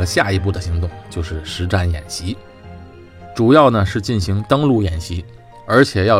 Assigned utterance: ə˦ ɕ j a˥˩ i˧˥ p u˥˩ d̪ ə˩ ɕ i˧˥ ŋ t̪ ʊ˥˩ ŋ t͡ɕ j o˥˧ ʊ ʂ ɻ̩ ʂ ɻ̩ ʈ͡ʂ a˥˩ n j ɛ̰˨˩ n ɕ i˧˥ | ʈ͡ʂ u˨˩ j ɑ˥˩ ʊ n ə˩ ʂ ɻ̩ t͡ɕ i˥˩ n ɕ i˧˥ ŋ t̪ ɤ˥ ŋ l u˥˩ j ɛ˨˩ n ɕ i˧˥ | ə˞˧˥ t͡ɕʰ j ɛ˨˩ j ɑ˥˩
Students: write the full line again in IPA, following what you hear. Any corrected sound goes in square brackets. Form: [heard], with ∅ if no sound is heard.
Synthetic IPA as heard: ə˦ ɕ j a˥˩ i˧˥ p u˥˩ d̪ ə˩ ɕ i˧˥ ŋ t̪ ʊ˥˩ ŋ t͡ɕ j o˥˧ ʊ ʂ ɻ̩ ʂ ɻ̩ ʈ͡ʂ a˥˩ n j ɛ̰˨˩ n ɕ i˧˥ | ʈ͡ʂ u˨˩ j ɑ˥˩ ʊ n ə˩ ʂ ɻ̩ t͡ɕ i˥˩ n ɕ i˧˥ ŋ t̪ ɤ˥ ŋ l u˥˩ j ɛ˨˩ n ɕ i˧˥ | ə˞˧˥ t͡ɕʰ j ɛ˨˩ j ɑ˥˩